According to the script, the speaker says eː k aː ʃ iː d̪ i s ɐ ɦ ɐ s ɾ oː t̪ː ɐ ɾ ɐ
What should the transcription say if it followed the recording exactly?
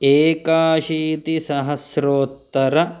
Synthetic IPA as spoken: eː k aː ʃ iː t̪ i s ɐ ɦ ɐ s ɾ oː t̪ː ɐ ɾ ɐ